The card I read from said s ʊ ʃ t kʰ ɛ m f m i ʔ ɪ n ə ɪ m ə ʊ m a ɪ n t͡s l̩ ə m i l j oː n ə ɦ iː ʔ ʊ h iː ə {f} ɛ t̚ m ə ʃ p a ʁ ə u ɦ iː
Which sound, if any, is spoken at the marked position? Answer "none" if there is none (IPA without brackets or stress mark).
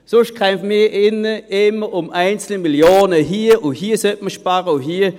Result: s